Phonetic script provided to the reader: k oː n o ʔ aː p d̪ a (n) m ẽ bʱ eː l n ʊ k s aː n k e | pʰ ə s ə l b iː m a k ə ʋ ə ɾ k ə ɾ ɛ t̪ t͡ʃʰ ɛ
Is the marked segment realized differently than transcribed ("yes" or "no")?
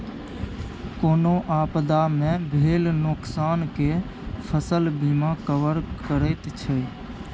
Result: yes